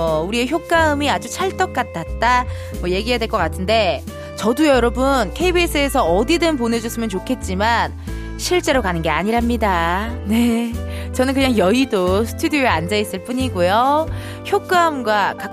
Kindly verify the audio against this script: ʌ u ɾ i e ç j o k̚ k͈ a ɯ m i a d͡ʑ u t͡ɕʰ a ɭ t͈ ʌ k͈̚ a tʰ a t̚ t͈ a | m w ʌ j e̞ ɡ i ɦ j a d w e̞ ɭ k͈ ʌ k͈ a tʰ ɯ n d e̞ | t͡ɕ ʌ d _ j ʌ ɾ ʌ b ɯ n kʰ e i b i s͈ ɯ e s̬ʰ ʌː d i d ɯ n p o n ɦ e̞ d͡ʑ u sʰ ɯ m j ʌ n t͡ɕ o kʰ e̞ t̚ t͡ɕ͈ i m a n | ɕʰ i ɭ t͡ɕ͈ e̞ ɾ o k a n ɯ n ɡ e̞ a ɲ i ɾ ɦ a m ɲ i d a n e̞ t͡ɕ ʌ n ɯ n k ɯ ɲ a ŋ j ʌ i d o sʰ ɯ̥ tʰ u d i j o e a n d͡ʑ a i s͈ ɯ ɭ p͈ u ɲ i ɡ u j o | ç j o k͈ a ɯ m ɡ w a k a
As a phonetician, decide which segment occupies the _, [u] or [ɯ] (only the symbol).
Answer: u